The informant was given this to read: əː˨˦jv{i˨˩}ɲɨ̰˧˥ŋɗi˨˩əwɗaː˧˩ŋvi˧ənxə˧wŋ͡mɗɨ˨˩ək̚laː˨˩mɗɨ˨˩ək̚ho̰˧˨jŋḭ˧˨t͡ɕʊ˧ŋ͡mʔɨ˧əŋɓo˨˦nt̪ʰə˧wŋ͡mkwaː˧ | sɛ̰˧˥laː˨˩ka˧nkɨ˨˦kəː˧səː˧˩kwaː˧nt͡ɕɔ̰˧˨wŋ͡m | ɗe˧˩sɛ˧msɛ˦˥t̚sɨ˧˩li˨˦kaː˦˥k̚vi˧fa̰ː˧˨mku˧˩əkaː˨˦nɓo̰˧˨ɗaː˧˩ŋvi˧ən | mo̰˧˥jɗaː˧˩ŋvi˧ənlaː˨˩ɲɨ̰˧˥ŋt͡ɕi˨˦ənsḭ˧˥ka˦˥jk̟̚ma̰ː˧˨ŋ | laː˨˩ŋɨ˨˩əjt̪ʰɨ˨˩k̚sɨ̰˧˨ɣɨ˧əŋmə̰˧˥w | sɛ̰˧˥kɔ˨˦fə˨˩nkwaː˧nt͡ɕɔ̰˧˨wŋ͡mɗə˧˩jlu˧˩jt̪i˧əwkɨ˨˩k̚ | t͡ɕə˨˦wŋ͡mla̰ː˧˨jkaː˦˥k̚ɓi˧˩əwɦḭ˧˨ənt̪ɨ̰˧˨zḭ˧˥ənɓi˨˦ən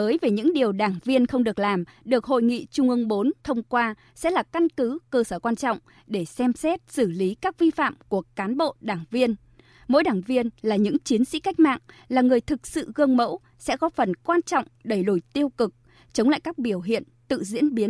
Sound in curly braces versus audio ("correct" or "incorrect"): incorrect